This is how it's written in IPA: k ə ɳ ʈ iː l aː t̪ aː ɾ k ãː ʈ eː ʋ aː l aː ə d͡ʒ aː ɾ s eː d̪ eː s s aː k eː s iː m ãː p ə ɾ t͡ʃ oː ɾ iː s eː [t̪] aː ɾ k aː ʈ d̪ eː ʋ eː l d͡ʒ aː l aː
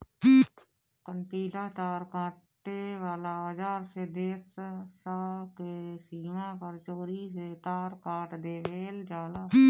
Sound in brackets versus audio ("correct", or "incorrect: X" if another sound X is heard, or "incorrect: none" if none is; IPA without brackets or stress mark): correct